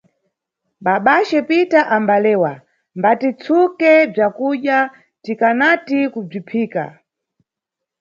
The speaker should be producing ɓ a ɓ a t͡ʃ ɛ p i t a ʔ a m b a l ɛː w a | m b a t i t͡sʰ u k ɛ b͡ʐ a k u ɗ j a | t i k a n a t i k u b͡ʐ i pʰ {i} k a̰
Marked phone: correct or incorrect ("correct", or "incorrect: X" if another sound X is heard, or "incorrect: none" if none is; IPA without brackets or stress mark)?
incorrect: iː